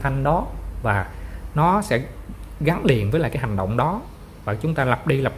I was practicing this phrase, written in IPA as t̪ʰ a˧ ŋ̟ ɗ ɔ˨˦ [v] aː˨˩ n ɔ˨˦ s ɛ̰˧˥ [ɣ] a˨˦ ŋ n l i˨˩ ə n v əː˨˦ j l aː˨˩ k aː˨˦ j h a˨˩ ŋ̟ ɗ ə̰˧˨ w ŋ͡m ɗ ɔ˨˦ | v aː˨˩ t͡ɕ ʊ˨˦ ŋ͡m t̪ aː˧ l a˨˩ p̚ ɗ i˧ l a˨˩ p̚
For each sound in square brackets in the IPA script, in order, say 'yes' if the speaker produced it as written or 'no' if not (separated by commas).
yes, yes